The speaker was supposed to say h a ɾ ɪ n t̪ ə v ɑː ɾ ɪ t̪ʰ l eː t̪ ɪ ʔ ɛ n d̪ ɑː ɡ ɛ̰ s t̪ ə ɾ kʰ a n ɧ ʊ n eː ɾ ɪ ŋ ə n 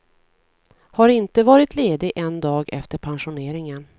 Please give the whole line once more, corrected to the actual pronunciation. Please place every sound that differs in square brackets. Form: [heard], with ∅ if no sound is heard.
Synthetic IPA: h a ɾ ɪ n t̪ ə v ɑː ɾ ɪ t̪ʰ l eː [d̪] ɪ ʔ ɛ n d̪ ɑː ɡ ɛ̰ [f] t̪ ə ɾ [pʰ] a n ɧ ʊ n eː ɾ ɪ ŋ ə n